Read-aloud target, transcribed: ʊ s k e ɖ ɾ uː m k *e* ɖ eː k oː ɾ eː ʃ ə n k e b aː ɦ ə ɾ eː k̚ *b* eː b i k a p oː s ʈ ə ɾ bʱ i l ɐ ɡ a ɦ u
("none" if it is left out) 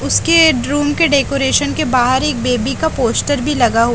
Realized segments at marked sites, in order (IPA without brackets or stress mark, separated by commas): e, b